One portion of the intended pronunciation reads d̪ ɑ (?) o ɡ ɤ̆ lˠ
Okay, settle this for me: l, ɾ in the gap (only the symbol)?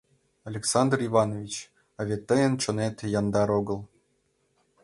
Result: ɾ